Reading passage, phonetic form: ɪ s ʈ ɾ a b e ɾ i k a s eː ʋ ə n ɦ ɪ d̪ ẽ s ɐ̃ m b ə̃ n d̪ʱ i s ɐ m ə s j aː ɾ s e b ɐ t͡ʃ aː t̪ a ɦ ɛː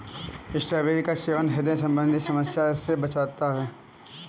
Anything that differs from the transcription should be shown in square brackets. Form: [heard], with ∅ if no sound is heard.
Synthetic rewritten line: ɪ s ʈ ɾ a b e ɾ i k a s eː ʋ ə n ɦ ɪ d̪ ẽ s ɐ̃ m b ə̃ n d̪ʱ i s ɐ m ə s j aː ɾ s e b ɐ t͡ʃ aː t̪ a ɦ ɛː